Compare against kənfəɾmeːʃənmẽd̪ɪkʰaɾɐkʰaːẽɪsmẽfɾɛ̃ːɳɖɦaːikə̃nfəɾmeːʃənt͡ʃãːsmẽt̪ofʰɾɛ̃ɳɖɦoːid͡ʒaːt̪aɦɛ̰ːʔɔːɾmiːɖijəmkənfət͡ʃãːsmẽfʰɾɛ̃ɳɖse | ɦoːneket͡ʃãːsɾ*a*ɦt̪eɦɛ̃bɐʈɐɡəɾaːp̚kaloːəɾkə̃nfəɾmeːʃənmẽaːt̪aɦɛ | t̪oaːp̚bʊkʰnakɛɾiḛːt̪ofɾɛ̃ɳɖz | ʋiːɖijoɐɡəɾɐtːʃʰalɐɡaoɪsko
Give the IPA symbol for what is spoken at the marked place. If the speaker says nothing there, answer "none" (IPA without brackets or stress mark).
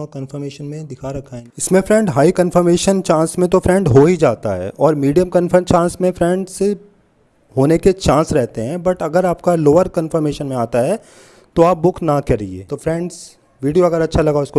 ɛ